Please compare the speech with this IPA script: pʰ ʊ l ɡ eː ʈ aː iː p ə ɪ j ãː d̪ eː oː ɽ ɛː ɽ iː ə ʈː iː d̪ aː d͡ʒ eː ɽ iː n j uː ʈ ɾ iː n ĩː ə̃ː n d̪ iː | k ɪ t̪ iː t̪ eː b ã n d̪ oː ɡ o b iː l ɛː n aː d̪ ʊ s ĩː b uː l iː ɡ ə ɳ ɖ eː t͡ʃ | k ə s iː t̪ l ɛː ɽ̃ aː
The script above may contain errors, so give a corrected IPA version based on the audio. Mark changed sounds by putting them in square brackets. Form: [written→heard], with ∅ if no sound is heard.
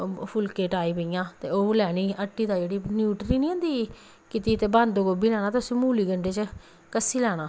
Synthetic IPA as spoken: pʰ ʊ l [ɡ→k] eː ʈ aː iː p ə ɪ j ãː [d̪→t̪] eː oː [ɽ→l] ɛː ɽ iː ə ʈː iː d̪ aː d͡ʒ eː ɽ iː n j uː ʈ ɾ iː n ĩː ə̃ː n d̪ iː | k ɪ t̪ iː t̪ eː b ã n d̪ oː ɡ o b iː l ɛː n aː [d̪→t̪] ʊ s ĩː [b→m] uː l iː ɡ ə ɳ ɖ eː t͡ʃ | k ə s iː [t̪→∅] l ɛː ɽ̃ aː